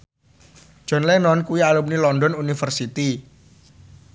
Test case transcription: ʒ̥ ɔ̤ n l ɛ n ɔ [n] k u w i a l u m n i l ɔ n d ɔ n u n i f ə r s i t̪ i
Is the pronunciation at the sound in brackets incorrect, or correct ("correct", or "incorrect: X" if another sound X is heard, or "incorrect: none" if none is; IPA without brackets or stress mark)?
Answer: correct